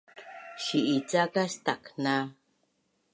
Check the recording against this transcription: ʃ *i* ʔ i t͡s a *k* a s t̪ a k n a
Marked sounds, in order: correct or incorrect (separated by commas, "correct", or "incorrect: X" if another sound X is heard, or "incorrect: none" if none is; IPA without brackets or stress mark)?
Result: correct, correct